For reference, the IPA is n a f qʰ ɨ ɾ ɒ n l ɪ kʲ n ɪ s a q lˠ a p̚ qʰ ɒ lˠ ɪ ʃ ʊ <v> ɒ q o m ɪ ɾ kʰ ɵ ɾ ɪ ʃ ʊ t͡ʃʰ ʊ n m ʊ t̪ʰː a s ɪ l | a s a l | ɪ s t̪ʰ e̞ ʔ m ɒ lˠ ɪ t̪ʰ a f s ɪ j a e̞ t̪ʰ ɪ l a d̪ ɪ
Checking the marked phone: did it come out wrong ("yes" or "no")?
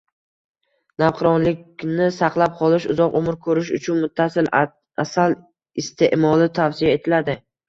yes